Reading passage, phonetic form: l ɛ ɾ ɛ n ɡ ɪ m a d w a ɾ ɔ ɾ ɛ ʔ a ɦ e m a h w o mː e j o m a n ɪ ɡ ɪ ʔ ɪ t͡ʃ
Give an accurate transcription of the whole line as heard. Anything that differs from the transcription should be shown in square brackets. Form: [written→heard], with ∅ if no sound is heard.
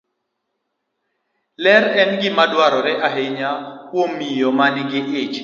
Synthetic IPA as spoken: l ɛ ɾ ɛ n ɡ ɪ m a d w a ɾ ɔ ɾ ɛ ʔ a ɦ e [m→ɲ] a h w o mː [e→i] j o m a n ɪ ɡ ɪ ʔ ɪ t͡ʃ